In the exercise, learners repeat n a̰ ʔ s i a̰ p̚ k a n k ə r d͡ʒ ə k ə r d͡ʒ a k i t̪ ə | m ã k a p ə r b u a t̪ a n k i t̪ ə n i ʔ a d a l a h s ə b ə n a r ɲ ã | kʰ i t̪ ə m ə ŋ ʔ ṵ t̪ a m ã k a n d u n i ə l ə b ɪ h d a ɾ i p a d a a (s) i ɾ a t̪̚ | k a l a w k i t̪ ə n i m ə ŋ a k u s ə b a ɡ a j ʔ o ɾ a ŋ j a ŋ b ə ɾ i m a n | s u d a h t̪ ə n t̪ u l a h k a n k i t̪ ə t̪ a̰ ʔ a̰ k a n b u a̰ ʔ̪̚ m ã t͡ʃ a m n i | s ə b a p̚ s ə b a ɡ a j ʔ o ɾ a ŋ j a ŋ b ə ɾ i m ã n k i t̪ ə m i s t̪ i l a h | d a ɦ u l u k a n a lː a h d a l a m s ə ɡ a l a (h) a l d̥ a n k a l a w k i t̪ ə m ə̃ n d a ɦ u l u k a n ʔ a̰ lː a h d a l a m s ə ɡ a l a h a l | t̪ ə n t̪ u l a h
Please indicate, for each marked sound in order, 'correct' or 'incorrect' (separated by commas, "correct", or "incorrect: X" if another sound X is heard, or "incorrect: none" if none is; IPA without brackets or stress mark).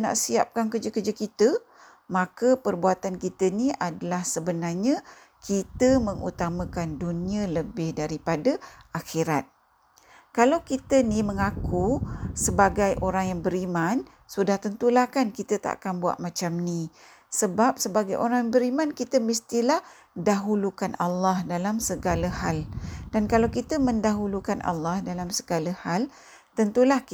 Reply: incorrect: x, correct